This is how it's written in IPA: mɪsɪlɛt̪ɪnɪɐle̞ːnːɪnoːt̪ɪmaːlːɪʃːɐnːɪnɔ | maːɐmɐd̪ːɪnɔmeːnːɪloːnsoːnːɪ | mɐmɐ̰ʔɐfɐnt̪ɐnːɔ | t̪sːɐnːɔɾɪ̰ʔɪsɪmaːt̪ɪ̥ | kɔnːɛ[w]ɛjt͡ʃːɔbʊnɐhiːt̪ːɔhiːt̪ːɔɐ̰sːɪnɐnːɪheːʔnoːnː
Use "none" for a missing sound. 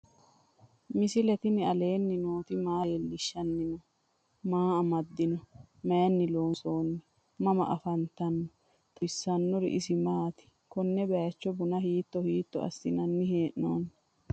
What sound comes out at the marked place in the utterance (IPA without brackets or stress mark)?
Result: b